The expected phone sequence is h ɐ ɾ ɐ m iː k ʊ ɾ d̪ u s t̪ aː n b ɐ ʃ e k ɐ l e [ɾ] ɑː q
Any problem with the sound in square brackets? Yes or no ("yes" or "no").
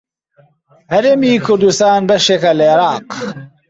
no